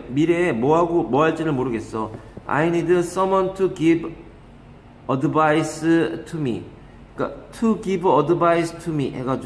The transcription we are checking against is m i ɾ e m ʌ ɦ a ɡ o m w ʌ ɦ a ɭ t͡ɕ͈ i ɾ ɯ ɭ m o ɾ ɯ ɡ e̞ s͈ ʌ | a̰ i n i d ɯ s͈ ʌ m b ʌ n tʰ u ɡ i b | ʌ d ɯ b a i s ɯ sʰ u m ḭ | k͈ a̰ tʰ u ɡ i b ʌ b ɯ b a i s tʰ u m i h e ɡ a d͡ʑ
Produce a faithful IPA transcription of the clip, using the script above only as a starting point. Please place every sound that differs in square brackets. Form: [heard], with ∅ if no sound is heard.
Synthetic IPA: m i ɾ e m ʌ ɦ a ɡ o m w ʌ ɦ a ɭ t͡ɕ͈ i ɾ ɯ ɭ m o ɾ ɯ ɡ e̞ s͈ ʌ | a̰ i n i d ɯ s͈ ʌ m [w] ʌ n tʰ u ɡ i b | ʌ d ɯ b a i s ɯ [tʰ] u m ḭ | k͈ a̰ tʰ u ɡ i b ʌ [d] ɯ b a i s tʰ u m i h e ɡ a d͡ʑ